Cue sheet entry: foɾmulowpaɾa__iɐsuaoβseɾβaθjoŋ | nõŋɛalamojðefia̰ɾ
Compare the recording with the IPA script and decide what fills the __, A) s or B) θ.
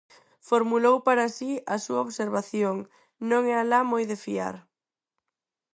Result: A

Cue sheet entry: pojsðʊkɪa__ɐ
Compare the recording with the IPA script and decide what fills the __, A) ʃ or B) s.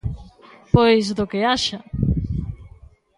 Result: A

